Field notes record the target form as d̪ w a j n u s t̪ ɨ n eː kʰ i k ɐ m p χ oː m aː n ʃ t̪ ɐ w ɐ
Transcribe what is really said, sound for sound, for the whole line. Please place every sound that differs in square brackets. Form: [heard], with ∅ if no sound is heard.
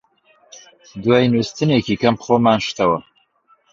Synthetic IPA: d̪ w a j n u s t̪ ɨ n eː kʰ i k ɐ m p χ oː m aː n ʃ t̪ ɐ w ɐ